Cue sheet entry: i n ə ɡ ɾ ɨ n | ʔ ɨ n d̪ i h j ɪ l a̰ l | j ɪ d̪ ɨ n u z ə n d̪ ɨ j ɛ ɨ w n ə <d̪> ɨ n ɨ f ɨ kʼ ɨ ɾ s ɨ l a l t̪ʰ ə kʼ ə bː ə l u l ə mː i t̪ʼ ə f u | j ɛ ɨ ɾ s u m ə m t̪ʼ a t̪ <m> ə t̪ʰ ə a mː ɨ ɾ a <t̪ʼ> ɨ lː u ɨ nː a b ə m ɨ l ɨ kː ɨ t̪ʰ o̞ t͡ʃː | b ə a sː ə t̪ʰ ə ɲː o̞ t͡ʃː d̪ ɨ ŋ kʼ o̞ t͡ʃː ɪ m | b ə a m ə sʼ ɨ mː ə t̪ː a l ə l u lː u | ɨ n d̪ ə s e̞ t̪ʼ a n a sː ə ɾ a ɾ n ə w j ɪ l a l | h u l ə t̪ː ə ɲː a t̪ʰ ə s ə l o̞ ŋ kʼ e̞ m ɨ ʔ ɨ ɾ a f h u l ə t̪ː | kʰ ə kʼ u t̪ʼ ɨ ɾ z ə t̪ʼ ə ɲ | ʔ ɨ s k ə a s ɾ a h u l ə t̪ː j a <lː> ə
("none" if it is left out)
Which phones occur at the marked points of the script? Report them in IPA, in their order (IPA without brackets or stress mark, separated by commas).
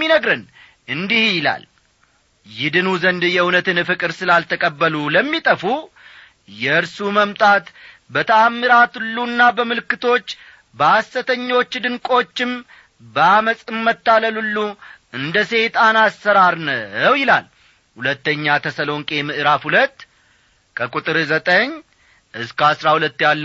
t̪, b, t̪, lː